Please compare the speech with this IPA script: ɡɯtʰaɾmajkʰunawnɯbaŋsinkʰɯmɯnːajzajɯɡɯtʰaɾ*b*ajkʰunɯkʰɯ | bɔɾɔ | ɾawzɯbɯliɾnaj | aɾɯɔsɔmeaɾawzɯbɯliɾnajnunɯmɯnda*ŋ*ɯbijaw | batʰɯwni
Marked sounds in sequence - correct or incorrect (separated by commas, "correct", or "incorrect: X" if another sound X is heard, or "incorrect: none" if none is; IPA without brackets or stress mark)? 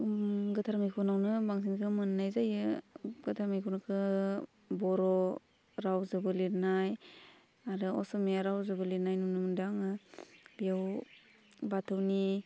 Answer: incorrect: m, correct